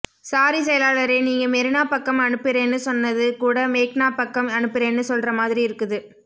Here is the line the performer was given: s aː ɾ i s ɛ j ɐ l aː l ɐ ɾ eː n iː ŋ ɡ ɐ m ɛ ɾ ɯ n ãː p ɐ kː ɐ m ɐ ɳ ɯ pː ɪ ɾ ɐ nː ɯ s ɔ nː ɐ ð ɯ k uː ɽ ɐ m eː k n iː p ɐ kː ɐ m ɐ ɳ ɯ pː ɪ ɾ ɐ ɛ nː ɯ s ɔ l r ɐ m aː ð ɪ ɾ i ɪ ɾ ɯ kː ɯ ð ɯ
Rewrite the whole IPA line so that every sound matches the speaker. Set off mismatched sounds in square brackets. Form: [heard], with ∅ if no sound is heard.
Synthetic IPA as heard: s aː ɾ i s ɛ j ɐ l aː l ɐ ɾ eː n iː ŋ ɡ ɐ m ɛ ɾ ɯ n [aː] p ɐ kː ɐ m ɐ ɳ ɯ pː ɪ ɾ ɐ nː ɯ s ɔ nː ɐ ð ɯ k uː ɽ ɐ m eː k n [aː] p ɐ kː ɐ m ɐ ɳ ɯ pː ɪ ɾ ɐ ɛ nː ɯ s ɔ l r ɐ m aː ð ɪ ɾ i ɪ ɾ ɯ kː ɯ ð ɯ